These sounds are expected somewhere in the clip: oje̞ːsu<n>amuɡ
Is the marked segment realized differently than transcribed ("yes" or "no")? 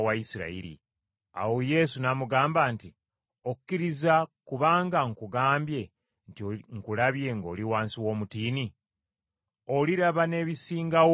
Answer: no